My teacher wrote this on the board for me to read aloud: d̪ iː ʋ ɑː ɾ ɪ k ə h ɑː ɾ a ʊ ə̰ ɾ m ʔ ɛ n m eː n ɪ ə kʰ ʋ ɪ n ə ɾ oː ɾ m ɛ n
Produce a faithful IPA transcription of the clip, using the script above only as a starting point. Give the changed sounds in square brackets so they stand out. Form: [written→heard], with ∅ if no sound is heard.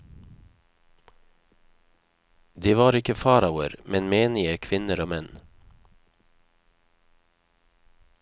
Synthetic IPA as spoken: d̪ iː ʋ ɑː ɾ ɪ k ə [h→f] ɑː ɾ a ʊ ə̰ ɾ m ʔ ɛ n m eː n ɪ ə kʰ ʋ ɪ n ə ɾ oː [ɾ→∅] m ɛ n